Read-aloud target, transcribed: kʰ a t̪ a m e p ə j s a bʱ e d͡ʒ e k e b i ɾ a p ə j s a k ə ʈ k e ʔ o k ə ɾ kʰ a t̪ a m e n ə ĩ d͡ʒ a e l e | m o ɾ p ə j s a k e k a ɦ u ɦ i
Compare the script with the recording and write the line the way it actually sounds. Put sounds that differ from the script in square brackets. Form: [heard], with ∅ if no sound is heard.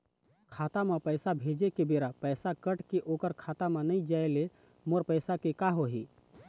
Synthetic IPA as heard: kʰ a t̪ a m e p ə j s a bʱ e d͡ʒ e k e b [e] ɾ a p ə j s a k ə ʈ k e ʔ o k ə ɾ kʰ a t̪ a m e n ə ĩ d͡ʒ a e l e | m o ɾ p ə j s a k e k a ɦ [o] ɦ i

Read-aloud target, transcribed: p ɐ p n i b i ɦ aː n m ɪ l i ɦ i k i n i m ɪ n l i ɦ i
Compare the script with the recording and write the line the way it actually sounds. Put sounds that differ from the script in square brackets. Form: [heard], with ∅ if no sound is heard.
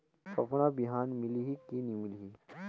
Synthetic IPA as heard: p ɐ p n [a] b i ɦ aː n m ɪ l i ɦ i k i n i m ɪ [∅] l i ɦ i

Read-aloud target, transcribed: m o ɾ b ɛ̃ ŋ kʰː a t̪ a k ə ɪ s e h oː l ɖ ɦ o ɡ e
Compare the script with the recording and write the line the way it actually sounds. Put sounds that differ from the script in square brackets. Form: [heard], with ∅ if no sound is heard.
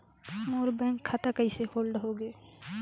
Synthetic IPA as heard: m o ɾ b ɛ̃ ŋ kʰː a t̪ a k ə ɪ s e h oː l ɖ ɦ o ɡ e

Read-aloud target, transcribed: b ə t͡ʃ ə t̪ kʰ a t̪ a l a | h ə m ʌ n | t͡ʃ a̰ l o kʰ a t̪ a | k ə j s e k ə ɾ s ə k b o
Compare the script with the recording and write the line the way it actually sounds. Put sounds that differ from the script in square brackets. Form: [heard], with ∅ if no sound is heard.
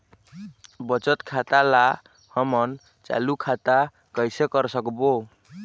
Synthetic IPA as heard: b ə t͡ʃ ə t̪ kʰ a t̪ a l a | h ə m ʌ n | t͡ʃ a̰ l [u] kʰ a t̪ a | k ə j s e k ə ɾ s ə k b o

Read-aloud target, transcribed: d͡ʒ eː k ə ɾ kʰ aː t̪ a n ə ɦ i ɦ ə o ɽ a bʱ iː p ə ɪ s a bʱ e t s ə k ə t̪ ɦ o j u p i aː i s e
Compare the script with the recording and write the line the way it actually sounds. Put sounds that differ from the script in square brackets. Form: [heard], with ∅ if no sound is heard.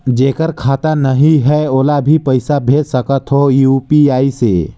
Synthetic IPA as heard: d͡ʒ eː k ə ɾ kʰ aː t̪ a n ə ɦ i ɦ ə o [l] a bʱ [i] p ə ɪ s a bʱ e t s ə k ə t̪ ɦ o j u p i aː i s e

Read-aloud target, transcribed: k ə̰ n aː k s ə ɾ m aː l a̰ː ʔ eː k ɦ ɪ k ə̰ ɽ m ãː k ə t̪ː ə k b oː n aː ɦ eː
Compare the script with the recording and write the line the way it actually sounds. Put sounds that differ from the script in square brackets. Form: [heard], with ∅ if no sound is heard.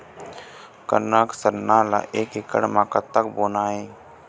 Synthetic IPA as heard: k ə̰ n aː k s ə ɾ [n] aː l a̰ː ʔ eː k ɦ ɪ k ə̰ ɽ m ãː k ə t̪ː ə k b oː n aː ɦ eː

